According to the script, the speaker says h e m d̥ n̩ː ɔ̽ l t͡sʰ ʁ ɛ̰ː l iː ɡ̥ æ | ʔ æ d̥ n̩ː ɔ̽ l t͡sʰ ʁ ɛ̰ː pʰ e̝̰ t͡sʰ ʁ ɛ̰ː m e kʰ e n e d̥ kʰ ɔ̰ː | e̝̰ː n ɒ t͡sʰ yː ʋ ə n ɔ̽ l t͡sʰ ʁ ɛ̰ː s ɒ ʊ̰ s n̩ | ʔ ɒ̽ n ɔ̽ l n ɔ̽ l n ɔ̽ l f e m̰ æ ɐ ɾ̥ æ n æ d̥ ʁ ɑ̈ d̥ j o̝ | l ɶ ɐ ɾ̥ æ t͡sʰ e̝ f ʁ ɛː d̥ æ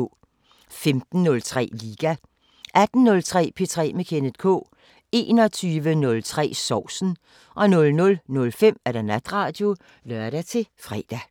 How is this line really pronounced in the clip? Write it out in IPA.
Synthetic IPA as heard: f e m d̥ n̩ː ɔ̽ l t͡sʰ ʁ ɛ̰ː l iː ɡ̥ æ | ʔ æ d̥ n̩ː ɔ̽ l t͡sʰ ʁ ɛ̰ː pʰ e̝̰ t͡sʰ ʁ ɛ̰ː m e kʰ e n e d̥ kʰ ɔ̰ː | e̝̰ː n ɒ t͡sʰ yː ʋ ə n ɔ̽ l t͡sʰ ʁ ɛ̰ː s ɒ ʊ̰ s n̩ | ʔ ɒ̽ n ɔ̽ l n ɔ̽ l n ɔ̽ l f e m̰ æ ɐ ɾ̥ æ n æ d̥ ʁ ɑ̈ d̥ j o̝ | l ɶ ɐ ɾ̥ æ t͡sʰ e̝ f ʁ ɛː d̥ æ